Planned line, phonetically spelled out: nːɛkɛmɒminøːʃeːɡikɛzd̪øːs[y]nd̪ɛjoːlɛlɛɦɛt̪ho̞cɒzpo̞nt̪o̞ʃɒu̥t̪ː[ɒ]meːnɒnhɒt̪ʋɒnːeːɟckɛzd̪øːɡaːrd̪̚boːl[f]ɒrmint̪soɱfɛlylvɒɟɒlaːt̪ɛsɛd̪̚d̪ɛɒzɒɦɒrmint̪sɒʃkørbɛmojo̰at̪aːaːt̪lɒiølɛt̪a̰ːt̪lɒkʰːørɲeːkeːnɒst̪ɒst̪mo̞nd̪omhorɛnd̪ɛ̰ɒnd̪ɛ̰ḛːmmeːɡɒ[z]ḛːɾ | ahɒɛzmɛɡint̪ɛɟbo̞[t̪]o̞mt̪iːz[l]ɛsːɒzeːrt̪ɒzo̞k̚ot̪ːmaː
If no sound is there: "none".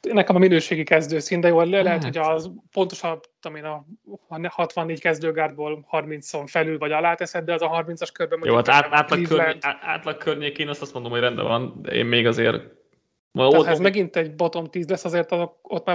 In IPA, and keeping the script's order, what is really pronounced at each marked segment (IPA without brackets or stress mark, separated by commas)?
i, o, h, z, t̪, l